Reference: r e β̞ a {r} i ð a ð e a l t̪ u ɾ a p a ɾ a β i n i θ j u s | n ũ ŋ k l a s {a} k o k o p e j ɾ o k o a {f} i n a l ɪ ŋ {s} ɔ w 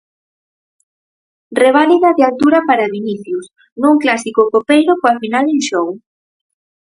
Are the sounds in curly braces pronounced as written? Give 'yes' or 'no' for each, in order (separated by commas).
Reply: no, no, yes, no